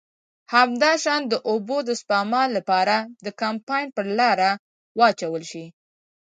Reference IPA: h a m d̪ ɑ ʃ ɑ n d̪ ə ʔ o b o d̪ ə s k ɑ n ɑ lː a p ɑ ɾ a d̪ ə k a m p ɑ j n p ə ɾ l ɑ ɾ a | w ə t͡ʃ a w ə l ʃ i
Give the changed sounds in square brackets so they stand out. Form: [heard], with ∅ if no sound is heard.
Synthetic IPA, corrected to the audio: h a m d̪ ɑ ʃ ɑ n d̪ ə ʔ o b o d̪ ə s [p] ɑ [m] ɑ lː a p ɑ ɾ a d̪ ə k a m p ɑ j n p ə ɾ l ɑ ɾ a | w [ɑ] t͡ʃ a w ə l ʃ i